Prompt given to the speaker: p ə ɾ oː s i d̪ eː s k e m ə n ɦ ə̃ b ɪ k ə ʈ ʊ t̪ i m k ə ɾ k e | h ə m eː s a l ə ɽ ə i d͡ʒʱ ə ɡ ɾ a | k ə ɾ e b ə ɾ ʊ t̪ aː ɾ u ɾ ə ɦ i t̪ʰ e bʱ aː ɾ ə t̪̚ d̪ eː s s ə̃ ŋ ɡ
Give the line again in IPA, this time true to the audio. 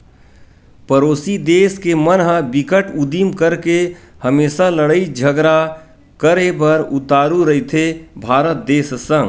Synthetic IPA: p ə ɾ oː s i d̪ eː s k e m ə n ɦ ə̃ b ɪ k ə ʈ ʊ d̪ i m k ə ɾ k e | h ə m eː s a l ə ɽ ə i d͡ʒʱ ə ɡ ɾ a | k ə ɾ e b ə ɾ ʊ t̪ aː ɾ u ɾ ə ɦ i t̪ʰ e bʱ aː ɾ ə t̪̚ d̪ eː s s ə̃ ŋ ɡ

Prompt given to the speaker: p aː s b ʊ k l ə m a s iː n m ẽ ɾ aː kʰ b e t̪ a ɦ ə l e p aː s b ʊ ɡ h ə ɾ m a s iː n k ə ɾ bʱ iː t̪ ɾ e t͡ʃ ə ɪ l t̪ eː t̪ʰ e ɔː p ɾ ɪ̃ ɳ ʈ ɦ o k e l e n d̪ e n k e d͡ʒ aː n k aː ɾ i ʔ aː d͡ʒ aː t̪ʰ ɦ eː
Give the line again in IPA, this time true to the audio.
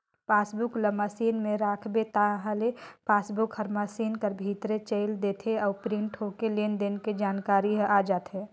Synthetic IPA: p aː s b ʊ k l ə m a s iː n m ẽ ɾ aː kʰ b e t̪ a ɦ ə l e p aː s b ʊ k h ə ɾ m a s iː n k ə ɾ bʱ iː t̪ ɾ e t͡ʃ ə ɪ l d̪ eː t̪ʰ e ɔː p ɾ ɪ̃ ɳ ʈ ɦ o k e l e n d̪ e n k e d͡ʒ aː n k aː ɾ i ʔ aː d͡ʒ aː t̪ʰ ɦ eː

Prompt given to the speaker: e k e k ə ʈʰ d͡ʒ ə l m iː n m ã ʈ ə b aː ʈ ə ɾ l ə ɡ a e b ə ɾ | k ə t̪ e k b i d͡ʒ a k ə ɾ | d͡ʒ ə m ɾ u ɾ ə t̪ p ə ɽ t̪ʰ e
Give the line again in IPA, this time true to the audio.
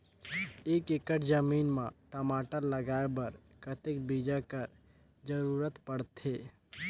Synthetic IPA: e k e k ə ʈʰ d͡ʒ ə m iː n m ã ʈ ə m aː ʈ ə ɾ l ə ɡ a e b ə ɾ | k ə t̪ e k b i d͡ʒ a k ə ɾ | d͡ʒ ə ɾ u ɾ ə t̪ p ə ɽ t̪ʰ e

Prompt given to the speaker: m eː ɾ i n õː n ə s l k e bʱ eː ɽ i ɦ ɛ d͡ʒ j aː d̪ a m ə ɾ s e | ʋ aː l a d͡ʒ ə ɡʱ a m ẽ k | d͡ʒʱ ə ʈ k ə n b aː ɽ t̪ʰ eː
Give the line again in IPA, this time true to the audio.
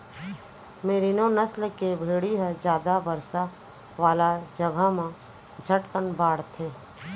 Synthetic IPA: m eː ɾ i n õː n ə s l k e bʱ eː ɽ i ɦ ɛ d͡ʒ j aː d̪ a b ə ɾ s a | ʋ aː l a d͡ʒ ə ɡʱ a m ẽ | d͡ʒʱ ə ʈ k ə n b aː ɽ t̪ʰ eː

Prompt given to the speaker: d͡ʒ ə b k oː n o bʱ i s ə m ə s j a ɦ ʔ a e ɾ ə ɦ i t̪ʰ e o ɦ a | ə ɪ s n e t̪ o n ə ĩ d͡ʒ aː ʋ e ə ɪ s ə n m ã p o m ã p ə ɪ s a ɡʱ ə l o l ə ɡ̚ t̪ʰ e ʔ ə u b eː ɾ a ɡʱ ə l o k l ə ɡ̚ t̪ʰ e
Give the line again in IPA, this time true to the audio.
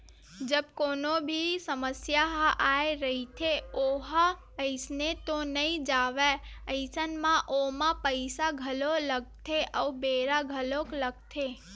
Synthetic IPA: d͡ʒ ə b k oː n o bʱ i s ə m ə s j a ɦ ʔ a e ɾ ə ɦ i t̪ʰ e o ɦ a | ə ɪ s n e t̪ o n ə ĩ d͡ʒ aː ʋ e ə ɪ s ə n m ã ʔ o m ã p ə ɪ s a ɡʱ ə l o l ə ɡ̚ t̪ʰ e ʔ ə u b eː ɾ a ɡʱ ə l o k l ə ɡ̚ t̪ʰ e

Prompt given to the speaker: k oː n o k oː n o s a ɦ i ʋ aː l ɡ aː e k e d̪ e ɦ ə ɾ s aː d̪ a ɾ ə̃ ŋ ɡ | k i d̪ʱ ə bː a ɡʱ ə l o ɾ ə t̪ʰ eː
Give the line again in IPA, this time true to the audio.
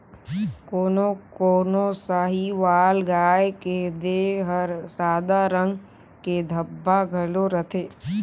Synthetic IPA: k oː n o k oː n o s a ɦ i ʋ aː l ɡ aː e k e d̪ e ɦ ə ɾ s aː d̪ a ɾ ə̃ ŋ ɡ | k e d̪ʱ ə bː a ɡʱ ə l o ɾ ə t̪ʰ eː

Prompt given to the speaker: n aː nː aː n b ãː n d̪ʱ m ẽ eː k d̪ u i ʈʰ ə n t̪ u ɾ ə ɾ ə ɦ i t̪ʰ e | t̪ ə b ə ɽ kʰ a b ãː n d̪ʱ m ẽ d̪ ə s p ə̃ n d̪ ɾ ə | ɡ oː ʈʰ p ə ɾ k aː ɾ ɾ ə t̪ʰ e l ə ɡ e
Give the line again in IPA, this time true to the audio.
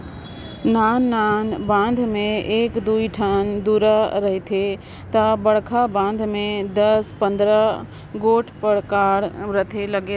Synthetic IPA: n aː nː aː n b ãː n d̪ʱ m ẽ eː k d̪ u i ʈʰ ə n d̪ u ɾ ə ɾ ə ɦ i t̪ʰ e | t̪ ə b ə ɽ kʰ a b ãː n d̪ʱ m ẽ d̪ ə s p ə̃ n d̪ ɾ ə | ɡ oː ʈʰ p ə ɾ k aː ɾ ɾ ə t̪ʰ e l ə ɡ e

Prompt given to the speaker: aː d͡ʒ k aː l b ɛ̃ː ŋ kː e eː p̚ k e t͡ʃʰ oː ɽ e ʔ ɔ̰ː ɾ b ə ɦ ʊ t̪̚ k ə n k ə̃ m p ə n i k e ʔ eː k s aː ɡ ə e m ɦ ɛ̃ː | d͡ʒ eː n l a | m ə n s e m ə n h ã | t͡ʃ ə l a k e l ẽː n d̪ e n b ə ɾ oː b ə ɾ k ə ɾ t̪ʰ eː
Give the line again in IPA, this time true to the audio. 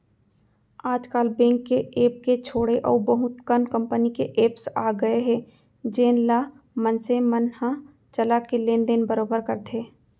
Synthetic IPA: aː d͡ʒ k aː l b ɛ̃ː ŋ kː e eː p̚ k e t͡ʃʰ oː ɽ e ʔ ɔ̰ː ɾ b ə ɦ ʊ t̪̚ k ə n k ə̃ m p ə n i k e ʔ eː p s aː ɡ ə e ɦ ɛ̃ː | d͡ʒ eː n l a | m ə n s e m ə n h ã | t͡ʃ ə l a k e l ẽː n d̪ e n b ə ɾ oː b ə ɾ k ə ɾ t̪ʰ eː

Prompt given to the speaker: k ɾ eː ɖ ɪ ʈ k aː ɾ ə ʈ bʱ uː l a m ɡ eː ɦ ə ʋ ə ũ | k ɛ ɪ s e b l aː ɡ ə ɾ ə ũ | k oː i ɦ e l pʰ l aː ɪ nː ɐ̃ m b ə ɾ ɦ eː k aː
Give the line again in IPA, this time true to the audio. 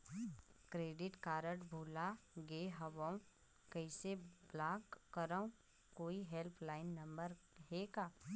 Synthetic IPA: k ɾ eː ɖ ɪ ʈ k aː ɾ ə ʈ bʱ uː l a ɡ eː ɦ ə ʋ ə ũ | k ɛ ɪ s e b l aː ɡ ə ɾ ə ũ | k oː i ɦ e l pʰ l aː ɪ nː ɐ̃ m b ə ɾ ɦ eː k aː

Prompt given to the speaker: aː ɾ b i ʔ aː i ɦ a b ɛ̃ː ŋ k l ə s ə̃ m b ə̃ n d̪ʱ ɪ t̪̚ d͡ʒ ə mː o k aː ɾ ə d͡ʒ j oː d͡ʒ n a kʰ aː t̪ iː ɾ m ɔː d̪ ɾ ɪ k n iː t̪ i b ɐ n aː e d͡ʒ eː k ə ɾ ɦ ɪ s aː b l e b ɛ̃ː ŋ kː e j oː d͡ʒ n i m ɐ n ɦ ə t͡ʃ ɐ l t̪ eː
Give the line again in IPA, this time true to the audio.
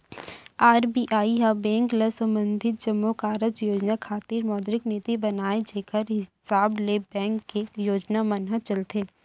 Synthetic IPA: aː ɾ b i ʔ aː i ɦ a b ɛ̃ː ŋ k l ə s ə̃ m b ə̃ n d̪ʱ ɪ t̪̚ d͡ʒ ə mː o k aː ɾ ə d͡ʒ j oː d͡ʒ n a kʰ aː t̪ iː ɾ m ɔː d̪ ɾ ɪ k n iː t̪ i b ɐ n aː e d͡ʒ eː k ə ɾ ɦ ɪ s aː b l e b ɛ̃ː ŋ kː e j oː d͡ʒ n a m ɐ n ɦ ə t͡ʃ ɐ l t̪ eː

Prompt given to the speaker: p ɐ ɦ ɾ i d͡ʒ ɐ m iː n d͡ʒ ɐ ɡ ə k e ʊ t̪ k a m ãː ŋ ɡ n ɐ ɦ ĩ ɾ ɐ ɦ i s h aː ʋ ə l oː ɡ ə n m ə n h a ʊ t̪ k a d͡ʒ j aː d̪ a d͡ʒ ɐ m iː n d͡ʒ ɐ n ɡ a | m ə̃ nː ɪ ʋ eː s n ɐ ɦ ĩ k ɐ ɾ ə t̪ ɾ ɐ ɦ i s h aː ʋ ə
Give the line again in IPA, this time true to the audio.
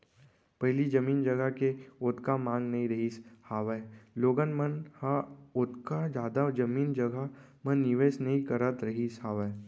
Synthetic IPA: p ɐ ɦ l i d͡ʒ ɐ m iː n d͡ʒ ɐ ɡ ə k e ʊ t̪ k a m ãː ŋ ɡ n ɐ ɦ ĩ ɾ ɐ ɦ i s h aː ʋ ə l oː ɡ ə n m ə n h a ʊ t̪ k a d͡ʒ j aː d̪ a d͡ʒ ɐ m iː n d͡ʒ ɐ ɡ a | m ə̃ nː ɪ ʋ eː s n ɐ ɦ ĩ k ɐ ɾ ə t̪ ɾ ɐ ɦ i s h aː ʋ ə

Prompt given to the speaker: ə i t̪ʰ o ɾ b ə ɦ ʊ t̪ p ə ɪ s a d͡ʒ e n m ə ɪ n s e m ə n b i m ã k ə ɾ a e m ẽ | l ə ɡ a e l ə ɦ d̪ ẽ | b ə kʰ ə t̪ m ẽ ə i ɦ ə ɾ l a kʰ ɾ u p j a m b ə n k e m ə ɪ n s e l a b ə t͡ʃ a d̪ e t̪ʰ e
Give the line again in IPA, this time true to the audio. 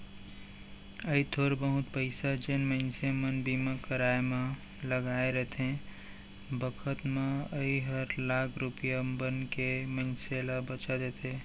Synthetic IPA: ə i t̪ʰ o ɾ b ə ɦ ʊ t̪ p ə ɪ s a d͡ʒ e n m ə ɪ n s e m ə n b i m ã k ə ɾ a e m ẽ | l ə ɡ a e ɾ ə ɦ t̪ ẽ | b ə kʰ ə t̪ m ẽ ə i ɦ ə ɾ l a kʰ ɾ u p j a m b ə n k e m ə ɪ n s e l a b ə t͡ʃ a d̪ e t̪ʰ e

